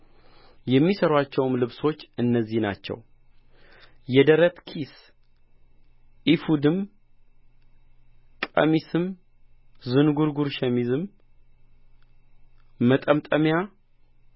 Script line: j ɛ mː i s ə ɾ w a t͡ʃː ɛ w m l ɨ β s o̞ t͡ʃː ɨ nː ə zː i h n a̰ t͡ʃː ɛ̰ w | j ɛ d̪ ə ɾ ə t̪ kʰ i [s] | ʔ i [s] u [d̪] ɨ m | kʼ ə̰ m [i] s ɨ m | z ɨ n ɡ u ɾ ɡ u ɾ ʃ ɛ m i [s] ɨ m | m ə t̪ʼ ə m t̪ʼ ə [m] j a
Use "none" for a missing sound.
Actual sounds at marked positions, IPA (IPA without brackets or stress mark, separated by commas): s, f, d̪, i, z, m